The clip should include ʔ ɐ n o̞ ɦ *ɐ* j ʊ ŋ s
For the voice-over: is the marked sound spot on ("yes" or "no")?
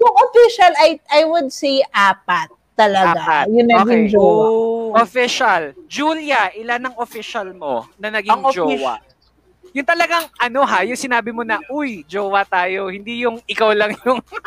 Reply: no